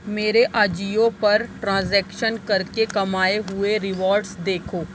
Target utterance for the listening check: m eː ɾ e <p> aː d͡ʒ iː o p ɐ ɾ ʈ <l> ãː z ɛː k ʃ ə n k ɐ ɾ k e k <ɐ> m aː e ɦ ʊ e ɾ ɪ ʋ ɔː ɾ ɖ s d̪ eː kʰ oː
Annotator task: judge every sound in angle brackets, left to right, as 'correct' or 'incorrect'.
incorrect, incorrect, correct

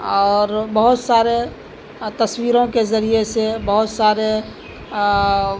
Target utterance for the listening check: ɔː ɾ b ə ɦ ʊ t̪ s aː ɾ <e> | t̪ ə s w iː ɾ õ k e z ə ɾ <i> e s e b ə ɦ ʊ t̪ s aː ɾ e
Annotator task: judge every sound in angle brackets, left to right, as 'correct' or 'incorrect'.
correct, correct

